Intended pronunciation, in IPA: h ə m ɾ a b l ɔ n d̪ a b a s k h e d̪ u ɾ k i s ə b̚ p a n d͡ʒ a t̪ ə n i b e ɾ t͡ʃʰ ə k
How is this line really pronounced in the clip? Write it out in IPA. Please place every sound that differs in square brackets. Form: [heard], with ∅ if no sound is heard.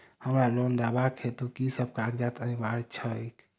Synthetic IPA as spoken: h ə m ɾ a [∅] l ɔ n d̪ a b a [∅] k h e [t̪] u [∅] k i s ə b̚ [k] a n d͡ʒ a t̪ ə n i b [a] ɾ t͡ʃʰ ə k